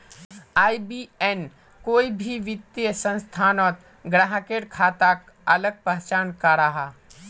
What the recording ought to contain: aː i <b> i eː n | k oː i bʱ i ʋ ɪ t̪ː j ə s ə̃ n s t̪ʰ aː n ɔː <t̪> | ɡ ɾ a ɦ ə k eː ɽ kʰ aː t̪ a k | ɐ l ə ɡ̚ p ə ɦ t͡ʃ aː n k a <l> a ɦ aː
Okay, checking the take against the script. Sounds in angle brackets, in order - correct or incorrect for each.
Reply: correct, correct, incorrect: ɾ

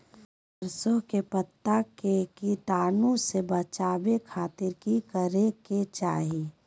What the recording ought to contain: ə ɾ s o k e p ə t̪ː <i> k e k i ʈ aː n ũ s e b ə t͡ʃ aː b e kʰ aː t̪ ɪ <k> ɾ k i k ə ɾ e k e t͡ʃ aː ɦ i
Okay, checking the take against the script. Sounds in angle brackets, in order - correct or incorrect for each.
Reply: incorrect: a, incorrect: none

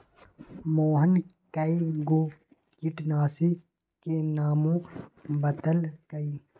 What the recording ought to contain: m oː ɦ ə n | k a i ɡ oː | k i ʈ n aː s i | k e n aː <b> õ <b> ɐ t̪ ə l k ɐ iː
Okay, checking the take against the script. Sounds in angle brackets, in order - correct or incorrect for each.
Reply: incorrect: m, correct

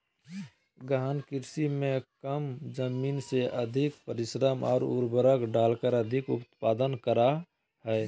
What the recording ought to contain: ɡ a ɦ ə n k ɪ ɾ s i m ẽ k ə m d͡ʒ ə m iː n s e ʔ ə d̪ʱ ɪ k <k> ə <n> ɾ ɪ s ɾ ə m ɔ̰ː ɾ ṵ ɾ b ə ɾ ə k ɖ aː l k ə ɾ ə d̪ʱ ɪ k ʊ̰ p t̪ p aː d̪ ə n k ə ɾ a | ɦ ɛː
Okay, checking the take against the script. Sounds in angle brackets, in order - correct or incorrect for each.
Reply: incorrect: p, incorrect: none

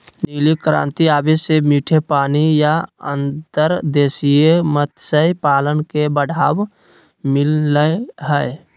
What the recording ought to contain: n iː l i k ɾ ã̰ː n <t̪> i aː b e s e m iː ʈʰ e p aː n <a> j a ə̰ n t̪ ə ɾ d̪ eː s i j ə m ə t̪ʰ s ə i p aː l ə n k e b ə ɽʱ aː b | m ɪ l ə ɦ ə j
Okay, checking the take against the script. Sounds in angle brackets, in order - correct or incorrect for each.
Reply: correct, incorrect: i

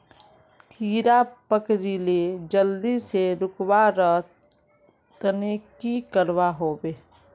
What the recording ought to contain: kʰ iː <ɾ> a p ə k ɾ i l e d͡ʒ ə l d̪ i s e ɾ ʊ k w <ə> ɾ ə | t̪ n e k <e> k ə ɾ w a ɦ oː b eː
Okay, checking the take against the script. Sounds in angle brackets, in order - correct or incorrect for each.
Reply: correct, incorrect: a, incorrect: i

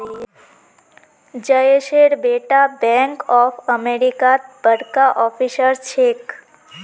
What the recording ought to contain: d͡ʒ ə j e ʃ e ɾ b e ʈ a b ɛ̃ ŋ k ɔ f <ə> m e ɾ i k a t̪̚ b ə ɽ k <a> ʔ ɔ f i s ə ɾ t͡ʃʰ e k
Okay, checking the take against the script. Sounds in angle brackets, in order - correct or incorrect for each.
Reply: correct, correct

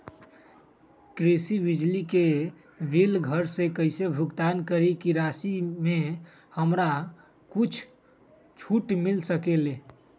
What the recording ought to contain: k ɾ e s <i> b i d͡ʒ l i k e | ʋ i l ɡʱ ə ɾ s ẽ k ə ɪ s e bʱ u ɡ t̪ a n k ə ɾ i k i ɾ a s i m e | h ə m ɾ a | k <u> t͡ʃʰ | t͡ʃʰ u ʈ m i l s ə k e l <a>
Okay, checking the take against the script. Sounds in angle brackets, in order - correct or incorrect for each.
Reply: correct, correct, incorrect: e

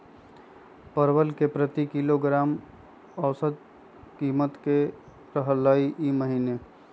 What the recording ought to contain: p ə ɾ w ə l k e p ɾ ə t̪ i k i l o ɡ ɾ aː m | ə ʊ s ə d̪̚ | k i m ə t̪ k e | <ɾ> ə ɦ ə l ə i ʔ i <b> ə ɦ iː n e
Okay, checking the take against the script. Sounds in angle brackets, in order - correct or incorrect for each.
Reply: correct, incorrect: m

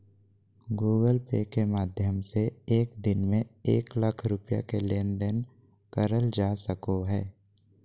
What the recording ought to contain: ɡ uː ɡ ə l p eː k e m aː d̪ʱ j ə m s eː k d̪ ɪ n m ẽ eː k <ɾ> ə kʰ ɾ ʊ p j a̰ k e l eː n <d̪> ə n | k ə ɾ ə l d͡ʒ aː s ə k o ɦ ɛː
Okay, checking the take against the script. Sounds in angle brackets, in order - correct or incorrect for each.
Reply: incorrect: l, correct

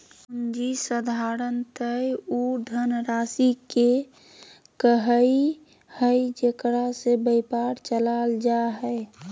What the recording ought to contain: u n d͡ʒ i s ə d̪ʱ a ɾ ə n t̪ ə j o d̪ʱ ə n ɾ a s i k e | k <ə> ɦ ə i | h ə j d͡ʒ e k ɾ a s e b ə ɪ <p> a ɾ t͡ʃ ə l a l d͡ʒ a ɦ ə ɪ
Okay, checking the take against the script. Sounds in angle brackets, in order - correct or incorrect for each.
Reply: correct, correct

